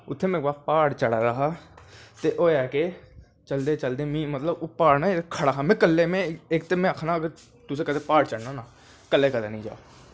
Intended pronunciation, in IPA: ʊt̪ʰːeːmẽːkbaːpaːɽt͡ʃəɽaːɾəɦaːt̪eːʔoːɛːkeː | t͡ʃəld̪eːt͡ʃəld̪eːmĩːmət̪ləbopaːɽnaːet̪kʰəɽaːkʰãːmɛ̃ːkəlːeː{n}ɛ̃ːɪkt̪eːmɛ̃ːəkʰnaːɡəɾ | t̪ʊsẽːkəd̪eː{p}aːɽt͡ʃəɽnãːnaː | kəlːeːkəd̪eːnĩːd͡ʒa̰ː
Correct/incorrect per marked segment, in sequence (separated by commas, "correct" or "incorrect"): incorrect, correct